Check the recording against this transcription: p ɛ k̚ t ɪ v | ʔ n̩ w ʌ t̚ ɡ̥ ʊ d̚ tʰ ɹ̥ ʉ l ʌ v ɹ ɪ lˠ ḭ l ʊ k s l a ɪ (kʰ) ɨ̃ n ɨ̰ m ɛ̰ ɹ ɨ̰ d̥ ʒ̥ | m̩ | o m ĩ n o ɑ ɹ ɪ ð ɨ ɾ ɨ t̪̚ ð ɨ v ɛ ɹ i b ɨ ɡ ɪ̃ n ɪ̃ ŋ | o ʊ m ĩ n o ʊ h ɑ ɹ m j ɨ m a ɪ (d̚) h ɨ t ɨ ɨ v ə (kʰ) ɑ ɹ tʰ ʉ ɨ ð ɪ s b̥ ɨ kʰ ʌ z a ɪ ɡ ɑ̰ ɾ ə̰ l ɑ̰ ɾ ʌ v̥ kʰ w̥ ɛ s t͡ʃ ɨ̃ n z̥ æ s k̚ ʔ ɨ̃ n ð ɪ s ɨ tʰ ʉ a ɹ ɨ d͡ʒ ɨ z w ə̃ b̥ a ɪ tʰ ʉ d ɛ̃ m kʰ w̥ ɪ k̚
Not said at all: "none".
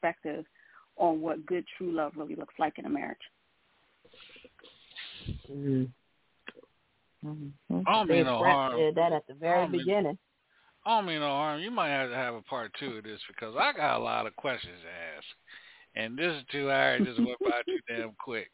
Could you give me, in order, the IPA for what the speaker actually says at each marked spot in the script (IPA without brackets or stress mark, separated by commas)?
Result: k, t̚, pʰ